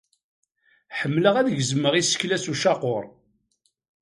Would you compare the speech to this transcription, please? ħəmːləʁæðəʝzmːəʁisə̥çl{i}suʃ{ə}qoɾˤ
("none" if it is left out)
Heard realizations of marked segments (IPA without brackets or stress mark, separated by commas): æ, ɑ